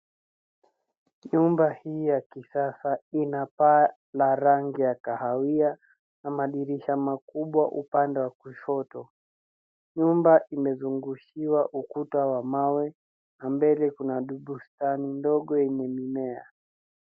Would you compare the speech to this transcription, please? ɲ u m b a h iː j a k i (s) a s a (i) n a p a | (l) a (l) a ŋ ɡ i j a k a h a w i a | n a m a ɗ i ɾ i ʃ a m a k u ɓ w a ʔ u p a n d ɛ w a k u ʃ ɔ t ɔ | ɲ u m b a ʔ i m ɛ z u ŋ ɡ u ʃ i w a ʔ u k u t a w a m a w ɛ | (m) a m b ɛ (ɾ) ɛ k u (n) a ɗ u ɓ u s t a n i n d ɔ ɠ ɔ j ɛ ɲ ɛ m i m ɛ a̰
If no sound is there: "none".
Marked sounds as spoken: s, i, l, ɾ, n, l, n

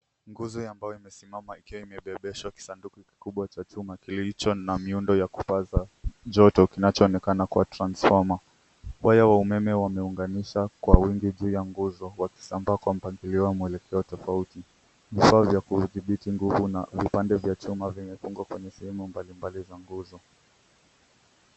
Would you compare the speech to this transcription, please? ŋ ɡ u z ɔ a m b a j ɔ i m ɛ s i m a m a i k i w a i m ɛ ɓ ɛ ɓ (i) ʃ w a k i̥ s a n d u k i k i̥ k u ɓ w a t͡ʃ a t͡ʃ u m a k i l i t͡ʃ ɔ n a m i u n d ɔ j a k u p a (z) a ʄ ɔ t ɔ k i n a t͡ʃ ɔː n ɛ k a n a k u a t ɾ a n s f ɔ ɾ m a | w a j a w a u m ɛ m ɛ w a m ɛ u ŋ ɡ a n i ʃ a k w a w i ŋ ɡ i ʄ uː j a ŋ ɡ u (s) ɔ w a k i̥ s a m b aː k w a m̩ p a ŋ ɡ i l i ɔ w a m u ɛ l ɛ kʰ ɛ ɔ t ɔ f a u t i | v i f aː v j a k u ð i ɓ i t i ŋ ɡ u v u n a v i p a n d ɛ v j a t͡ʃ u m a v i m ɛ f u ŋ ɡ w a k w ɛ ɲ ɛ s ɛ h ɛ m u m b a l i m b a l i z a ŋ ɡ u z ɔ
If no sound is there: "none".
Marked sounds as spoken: ɛ, z, z

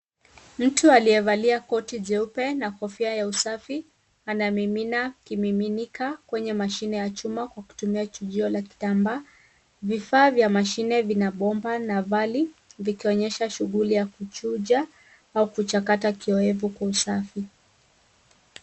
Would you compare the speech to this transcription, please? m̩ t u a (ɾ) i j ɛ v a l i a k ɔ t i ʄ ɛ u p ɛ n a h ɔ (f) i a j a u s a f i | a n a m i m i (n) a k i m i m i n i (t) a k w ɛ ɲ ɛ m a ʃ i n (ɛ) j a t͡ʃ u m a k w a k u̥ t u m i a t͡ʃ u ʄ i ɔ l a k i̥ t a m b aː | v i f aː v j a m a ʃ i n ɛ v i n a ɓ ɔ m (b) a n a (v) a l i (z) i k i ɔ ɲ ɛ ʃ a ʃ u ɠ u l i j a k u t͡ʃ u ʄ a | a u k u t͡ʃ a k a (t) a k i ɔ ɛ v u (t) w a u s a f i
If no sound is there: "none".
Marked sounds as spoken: l, f, n, k, ɛ, b, v, v, t, k

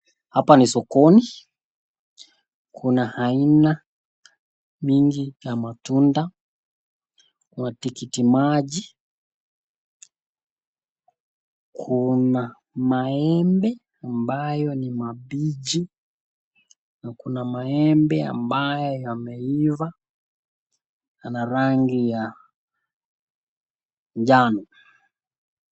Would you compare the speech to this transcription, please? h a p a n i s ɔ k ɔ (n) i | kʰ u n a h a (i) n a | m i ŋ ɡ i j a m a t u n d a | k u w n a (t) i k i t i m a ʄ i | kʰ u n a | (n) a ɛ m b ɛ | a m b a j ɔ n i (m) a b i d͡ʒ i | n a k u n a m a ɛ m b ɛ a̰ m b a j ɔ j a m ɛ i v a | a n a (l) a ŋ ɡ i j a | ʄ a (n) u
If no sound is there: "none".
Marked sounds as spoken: n, i, t, m, m, ɾ, n

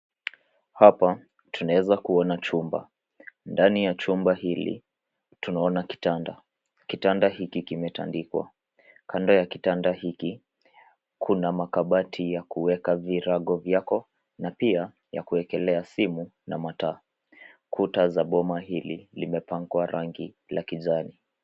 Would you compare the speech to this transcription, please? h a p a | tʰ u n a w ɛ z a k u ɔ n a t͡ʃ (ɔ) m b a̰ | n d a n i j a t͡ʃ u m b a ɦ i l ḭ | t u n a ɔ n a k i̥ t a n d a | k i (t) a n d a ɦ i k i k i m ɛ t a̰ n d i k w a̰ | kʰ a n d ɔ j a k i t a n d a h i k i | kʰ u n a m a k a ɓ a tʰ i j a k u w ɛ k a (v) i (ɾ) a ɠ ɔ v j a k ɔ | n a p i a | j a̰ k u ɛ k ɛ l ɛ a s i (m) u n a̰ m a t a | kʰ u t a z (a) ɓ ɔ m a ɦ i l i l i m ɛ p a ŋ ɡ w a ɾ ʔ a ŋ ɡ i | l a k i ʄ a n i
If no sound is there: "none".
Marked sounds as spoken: u, t, v, ɾ, m, a

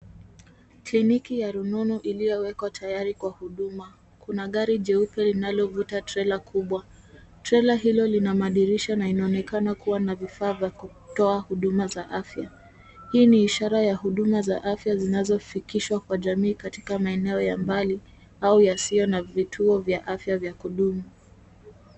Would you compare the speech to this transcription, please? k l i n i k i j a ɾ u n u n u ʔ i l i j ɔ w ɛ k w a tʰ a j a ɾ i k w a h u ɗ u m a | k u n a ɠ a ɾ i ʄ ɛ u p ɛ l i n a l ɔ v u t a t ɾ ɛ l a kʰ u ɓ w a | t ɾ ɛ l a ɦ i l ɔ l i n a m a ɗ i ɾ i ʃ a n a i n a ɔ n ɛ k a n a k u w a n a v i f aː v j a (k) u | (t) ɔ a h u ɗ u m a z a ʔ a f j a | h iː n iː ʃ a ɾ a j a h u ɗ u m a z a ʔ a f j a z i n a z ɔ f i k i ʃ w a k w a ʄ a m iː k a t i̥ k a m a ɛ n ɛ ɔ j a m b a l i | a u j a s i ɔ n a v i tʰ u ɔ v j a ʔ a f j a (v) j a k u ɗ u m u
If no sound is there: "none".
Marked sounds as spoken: k, t, v

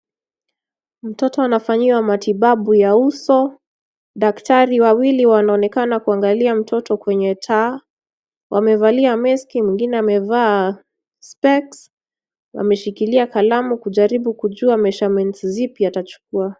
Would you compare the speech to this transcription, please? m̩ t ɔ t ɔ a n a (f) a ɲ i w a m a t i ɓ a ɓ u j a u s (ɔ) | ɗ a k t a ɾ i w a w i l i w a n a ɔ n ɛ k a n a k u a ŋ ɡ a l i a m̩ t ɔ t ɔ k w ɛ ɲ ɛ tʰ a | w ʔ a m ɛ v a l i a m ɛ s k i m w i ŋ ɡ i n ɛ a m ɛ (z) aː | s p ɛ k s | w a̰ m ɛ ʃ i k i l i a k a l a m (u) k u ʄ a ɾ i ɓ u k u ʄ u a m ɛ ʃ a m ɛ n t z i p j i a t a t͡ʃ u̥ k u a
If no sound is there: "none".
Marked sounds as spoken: f, ɔ, v, u

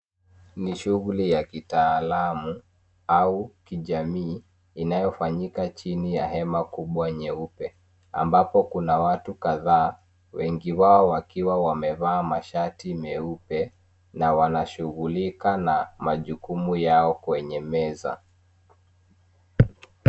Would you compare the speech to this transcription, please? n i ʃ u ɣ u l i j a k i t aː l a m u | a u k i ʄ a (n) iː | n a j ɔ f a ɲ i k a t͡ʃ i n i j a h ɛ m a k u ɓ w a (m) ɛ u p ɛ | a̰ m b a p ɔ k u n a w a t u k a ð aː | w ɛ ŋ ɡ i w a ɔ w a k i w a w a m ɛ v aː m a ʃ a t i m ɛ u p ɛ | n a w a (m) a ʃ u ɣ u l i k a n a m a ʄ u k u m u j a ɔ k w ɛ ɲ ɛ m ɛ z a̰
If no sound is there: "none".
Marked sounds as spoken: m, ɲ, n

